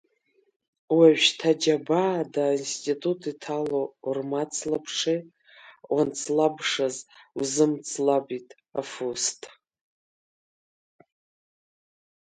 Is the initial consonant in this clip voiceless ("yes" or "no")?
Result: no